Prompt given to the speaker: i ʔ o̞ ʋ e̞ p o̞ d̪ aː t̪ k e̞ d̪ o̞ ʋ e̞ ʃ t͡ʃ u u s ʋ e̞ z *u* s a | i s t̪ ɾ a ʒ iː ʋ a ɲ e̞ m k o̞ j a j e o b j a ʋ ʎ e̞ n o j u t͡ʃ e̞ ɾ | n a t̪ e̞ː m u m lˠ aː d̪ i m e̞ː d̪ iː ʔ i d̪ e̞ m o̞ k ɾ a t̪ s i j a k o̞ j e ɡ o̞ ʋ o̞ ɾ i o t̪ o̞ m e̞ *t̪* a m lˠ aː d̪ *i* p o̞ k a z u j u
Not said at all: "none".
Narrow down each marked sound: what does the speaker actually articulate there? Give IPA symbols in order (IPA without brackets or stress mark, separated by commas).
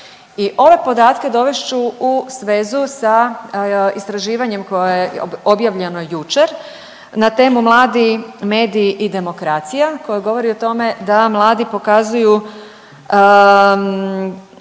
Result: u, d̪, i